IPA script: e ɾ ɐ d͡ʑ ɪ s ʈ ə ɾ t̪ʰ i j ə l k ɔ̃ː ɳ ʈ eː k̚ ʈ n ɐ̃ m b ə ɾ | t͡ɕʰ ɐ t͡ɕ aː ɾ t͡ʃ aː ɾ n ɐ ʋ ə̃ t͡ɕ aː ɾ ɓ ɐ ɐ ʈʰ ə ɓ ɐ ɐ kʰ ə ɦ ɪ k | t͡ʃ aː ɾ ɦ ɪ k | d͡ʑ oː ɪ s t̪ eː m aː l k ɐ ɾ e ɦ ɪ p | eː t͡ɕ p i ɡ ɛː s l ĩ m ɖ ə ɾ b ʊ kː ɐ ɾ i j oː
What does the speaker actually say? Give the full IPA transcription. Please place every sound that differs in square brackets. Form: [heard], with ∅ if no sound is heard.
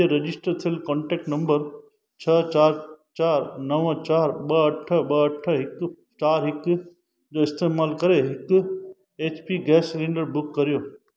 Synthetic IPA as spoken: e ɾ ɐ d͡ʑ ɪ s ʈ ə ɾ t̪ʰ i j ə l k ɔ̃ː ɳ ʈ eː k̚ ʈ n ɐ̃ m b ə ɾ | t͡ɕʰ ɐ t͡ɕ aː ɾ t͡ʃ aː ɾ n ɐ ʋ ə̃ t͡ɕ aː ɾ ɓ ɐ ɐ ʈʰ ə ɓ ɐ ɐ [ʈʰ] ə ɦ ɪ k | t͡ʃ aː ɾ ɦ ɪ k | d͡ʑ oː ɪ s t̪ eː m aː l k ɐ ɾ e ɦ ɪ [k] | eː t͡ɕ p i ɡ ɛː s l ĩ [ɳ] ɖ ə ɾ b ʊ kː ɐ ɾ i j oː